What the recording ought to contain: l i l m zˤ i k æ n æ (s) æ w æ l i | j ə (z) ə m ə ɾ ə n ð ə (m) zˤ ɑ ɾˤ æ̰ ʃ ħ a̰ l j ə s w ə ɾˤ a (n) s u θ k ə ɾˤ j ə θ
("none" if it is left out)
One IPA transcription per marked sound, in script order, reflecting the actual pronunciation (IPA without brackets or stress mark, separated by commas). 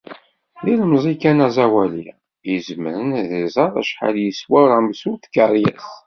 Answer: z, z, none, m